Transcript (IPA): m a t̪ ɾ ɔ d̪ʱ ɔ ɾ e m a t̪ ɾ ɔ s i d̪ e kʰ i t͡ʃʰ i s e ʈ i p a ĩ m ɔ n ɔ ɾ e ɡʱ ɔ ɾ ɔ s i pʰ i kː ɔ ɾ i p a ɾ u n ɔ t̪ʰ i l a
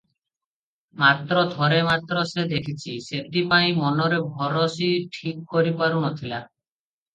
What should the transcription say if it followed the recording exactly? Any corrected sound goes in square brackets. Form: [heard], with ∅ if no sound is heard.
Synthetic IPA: m a t̪ ɾ ɔ d̪ʱ ɔ ɾ e m a t̪ ɾ ɔ s [e] d̪ e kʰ i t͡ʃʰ i s e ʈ i p a ĩ m ɔ n ɔ ɾ e [bʱ] ɔ ɾ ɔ s i [ʈʰ] i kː ɔ ɾ i p a ɾ u n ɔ t̪ʰ i l a